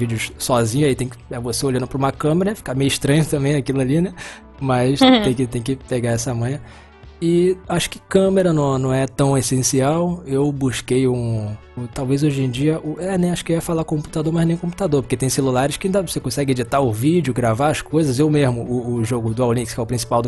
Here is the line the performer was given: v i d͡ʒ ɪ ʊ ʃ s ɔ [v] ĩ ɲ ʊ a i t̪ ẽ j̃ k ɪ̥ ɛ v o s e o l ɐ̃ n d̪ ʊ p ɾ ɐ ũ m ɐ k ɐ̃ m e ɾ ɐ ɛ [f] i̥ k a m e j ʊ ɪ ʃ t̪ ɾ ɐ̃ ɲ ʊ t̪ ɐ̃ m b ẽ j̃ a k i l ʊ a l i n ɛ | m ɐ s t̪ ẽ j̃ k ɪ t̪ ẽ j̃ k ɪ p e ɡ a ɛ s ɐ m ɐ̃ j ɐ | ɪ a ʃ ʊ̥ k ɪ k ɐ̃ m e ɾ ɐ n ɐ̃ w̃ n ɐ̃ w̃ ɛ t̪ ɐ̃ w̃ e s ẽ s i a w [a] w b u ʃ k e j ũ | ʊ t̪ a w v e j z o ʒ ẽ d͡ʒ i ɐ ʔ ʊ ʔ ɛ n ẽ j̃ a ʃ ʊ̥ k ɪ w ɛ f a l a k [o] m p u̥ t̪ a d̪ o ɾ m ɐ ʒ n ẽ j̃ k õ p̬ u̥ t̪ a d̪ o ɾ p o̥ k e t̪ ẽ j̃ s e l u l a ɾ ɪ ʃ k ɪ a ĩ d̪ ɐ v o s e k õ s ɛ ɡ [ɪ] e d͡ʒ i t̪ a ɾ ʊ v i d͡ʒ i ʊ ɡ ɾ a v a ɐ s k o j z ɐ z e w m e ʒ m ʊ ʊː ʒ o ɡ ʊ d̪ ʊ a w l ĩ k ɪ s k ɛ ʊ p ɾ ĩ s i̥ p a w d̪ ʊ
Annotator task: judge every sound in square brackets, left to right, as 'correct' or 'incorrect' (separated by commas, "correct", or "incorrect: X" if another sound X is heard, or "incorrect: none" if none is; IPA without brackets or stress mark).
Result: incorrect: z, correct, incorrect: e, incorrect: õ, correct